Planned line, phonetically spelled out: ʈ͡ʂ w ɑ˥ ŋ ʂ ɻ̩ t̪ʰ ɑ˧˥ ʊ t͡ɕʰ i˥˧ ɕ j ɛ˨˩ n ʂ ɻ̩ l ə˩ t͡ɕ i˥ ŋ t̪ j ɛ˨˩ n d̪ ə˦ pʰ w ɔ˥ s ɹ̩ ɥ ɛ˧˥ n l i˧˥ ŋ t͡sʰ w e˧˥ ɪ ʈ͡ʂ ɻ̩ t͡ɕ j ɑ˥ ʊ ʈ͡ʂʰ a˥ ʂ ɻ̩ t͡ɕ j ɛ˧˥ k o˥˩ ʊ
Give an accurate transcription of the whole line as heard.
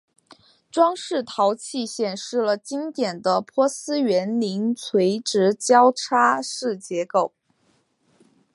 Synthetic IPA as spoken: ʈ͡ʂ w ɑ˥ ŋ ʂ ɻ̩ t̪ʰ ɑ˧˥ ʊ t͡ɕʰ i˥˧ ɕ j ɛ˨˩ n ʂ ɻ̩ l ə˩ t͡ɕ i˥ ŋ t̪ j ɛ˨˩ n d̪ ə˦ pʰ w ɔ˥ s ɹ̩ ɥ ɛ˧˥ n l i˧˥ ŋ t͡sʰ w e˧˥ ɪ ʈ͡ʂ ɻ̩ t͡ɕ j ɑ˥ ʊ ʈ͡ʂʰ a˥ ʂ ɻ̩ t͡ɕ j ɛ˧˥ k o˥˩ ʊ